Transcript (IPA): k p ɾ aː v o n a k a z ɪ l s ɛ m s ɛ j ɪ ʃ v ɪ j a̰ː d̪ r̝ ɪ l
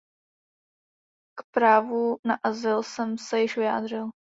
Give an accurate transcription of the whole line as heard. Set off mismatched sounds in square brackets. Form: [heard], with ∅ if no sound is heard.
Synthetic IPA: k p ɾ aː v [u] n a [ʔ] a z ɪ l s ɛ m s ɛ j ɪ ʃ v ɪ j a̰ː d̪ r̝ ɪ l